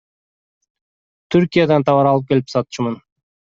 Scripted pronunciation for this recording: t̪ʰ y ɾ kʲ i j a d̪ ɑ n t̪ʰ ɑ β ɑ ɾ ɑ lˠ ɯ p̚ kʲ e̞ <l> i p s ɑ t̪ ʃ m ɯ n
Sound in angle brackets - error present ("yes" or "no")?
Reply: no